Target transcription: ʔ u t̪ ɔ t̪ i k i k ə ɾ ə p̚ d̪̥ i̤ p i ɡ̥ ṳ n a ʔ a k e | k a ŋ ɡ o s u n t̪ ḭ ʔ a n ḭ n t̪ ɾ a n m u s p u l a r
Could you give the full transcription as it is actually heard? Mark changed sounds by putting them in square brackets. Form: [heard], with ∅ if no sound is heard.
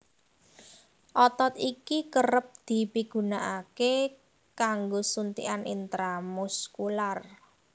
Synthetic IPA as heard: ʔ [ɔ] t̪ ɔ t̪ i k i k ə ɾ ə p̚ d̪̥ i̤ p i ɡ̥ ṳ n a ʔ a k e | k a ŋ ɡ o s u n t̪ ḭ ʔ a n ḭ n t̪ ɾ a [∅] m u s [k] u l a r